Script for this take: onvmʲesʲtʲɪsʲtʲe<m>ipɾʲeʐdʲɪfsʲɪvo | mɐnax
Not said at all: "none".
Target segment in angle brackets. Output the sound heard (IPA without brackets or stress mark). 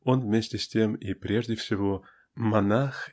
m